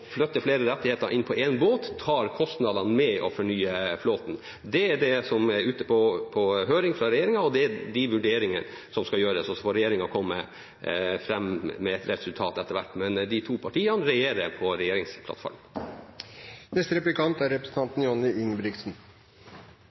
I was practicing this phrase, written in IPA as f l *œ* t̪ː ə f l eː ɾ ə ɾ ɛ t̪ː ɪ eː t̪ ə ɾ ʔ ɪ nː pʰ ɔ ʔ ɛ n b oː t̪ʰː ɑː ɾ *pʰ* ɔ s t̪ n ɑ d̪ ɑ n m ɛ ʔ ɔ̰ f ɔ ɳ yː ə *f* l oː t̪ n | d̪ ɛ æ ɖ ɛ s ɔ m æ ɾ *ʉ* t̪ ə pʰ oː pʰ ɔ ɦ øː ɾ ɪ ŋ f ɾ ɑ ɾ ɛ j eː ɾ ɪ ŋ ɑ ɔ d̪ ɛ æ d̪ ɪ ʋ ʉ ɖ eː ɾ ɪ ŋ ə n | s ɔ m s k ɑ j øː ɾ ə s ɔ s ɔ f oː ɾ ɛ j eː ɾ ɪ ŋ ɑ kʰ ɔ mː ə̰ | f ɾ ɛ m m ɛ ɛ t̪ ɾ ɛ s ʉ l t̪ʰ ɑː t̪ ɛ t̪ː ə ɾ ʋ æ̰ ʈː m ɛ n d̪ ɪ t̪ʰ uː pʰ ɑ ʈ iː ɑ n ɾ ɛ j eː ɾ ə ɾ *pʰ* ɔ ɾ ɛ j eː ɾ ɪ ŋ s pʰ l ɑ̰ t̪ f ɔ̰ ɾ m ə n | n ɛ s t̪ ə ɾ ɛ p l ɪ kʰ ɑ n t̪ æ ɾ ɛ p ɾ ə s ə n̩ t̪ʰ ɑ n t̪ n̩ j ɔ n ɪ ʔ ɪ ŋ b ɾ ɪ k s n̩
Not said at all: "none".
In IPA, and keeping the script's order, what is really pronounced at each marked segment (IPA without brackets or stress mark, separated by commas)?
œ, kʰ, f, ʉː, pʰ